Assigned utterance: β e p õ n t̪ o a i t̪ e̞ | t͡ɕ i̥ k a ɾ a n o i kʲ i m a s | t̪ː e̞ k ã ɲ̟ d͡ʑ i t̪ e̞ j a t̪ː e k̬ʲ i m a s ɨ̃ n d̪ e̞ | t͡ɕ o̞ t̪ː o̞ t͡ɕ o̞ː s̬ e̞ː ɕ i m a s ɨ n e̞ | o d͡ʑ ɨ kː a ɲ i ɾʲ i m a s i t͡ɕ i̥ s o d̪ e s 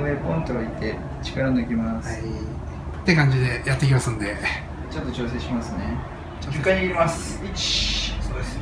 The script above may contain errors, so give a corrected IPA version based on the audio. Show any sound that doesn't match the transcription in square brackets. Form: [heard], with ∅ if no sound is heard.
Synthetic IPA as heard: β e p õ n t̪ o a i t̪ e̞ | t͡ɕ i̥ k a ɾ a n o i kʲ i m a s | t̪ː e̞ k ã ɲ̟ d͡ʑ i [d̪] e̞ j a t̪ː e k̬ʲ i m a s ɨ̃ n d̪ e̞ | t͡ɕ o̞ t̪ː o̞ t͡ɕ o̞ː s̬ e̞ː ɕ i m a s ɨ n e̞ | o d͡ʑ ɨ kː a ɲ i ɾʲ i m a s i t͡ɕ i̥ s o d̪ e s